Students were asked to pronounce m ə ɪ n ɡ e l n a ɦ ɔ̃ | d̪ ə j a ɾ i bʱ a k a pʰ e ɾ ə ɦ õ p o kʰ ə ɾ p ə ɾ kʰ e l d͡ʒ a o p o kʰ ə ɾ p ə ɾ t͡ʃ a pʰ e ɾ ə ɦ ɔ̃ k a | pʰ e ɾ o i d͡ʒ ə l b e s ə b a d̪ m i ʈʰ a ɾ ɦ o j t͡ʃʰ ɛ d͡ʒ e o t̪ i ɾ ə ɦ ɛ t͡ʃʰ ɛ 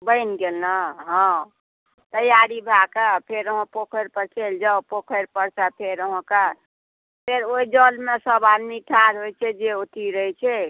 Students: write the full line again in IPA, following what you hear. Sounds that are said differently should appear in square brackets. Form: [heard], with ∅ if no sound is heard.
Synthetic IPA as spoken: [b] ə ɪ n ɡ e l n a ɦ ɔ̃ | [t̪] ə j a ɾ i bʱ a k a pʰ e ɾ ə ɦ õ p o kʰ ə ɾ p ə ɾ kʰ e l d͡ʒ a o p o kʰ ə ɾ p ə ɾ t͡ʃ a pʰ e ɾ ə ɦ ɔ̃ k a | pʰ e ɾ o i d͡ʒ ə l [m] e s ə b a d̪ m i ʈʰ a ɾ ɦ o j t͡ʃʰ ɛ d͡ʒ e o t̪ i ɾ ə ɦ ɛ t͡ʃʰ ɛ